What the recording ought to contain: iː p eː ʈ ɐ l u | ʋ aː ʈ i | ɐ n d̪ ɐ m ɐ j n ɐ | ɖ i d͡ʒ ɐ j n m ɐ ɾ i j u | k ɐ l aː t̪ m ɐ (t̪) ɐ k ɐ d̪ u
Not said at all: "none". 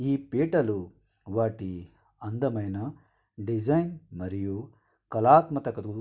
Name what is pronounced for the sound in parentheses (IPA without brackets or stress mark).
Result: t̪